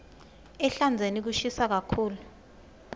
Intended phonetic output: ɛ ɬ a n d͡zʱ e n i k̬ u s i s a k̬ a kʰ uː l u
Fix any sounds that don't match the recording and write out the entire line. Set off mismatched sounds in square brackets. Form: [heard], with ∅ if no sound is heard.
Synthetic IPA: ɛ ɬ a n d͡zʱ e n i k̬ u [ʃ] i s a k̬ a kʰ uː l u